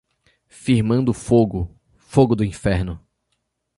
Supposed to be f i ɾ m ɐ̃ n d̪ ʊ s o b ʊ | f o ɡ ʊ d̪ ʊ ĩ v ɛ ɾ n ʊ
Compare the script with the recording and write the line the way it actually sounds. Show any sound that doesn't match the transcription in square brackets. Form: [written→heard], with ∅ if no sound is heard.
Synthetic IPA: f i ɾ m ɐ̃ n d̪ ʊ [s→f] o [b→ɡ] ʊ | f o ɡ ʊ d̪ ʊ ĩ [v→f] ɛ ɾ n ʊ